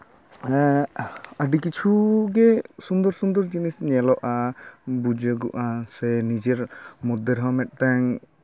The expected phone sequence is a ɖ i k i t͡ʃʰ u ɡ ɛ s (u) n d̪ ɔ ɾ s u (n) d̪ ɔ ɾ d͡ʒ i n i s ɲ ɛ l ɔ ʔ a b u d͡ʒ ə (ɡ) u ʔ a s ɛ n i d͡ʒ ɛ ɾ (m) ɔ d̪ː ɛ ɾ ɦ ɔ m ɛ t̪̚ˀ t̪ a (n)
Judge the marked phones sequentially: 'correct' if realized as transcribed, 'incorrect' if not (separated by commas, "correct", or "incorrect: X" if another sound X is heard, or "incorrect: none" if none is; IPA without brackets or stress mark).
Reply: correct, correct, correct, correct, incorrect: ŋ